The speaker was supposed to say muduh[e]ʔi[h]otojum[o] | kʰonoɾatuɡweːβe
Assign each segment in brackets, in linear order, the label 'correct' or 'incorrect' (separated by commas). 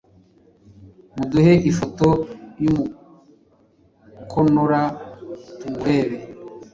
correct, incorrect, incorrect